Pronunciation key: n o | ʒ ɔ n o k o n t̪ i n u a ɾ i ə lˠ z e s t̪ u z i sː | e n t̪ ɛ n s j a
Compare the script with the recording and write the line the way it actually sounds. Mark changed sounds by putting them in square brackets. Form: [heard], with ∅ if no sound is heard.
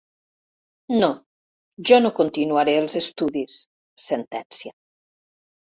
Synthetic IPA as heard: n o | ʒ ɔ n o k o n t̪ i n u a ɾ [e] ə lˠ z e s t̪ u [ð] i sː | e n t̪ ɛ n s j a